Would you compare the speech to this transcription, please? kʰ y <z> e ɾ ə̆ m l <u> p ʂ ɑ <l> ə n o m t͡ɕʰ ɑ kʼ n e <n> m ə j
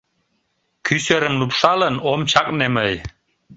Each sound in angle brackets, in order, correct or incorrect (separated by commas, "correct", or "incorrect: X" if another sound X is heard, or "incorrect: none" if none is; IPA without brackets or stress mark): incorrect: s, correct, correct, incorrect: none